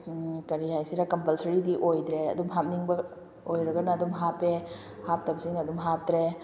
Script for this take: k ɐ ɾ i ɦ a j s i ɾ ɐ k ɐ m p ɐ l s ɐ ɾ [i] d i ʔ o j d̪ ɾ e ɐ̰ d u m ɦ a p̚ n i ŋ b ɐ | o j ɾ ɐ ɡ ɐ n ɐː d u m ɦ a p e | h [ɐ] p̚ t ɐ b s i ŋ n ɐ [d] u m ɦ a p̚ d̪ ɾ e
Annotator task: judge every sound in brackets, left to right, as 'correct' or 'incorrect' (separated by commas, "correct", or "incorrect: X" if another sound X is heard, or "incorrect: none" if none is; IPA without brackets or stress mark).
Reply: correct, incorrect: a, correct